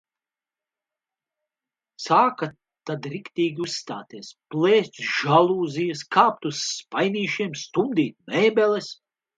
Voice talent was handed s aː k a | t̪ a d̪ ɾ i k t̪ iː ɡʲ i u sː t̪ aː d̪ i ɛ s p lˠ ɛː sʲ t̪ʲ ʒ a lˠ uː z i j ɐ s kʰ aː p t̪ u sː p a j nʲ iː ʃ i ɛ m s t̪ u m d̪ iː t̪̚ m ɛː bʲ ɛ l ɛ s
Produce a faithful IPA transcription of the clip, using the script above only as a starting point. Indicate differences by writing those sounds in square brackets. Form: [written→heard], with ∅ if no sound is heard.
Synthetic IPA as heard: s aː k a | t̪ a d̪ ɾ i k t̪ iː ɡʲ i u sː t̪ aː [d̪→t̪] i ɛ s p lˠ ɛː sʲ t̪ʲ ʒ a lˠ uː z i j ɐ s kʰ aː p t̪ u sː p a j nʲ iː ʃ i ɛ m s t̪ u m d̪ iː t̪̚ m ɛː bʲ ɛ l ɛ s